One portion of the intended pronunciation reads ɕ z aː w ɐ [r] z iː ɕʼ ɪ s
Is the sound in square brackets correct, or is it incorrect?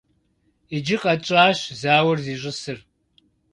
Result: correct